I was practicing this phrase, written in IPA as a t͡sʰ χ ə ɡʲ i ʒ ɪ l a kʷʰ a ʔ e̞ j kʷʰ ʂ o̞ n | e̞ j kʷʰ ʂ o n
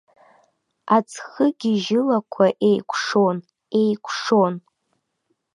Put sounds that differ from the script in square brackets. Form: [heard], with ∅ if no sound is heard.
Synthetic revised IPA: a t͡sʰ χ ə ɡʲ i ʒ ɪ l a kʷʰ a ʔ e̞ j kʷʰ ʂ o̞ n | e̞ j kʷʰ ʂ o n